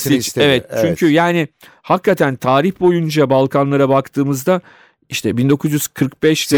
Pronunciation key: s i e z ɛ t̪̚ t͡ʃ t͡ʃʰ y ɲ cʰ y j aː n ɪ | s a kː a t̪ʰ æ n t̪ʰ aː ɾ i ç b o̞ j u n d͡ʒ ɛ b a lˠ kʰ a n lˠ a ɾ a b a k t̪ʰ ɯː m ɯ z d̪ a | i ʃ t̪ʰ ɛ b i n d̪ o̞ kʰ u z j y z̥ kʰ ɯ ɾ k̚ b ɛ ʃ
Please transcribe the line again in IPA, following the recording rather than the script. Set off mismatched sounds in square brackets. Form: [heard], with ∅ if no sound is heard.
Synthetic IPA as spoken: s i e [v] ɛ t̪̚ t͡ʃ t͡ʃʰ y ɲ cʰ y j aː n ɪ | [h] a kː a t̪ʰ æ n t̪ʰ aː ɾ i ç b o̞ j u n d͡ʒ [a] b a lˠ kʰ a n lˠ a ɾ a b a k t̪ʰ ɯː m ɯ z d̪ a | i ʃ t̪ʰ ɛ b i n d̪ o̞ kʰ u z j y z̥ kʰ ɯ ɾ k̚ b ɛ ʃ